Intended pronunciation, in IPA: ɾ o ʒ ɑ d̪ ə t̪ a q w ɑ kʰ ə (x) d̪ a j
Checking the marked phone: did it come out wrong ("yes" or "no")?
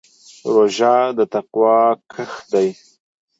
no